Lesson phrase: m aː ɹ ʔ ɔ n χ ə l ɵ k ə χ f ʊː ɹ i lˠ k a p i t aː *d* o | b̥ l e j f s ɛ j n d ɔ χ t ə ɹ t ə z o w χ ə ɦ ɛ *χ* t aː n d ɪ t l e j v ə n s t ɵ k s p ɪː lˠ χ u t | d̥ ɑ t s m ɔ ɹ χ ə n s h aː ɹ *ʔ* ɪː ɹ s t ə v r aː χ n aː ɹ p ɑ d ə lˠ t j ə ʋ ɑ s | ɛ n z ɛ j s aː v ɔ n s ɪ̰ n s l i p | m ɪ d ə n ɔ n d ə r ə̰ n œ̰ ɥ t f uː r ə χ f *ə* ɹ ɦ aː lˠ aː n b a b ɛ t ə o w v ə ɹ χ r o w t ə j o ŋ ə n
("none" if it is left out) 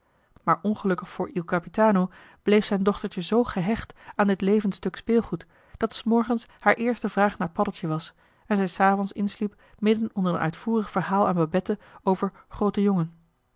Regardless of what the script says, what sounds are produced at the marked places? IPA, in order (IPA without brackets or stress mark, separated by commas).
n, χ, ʔ, ə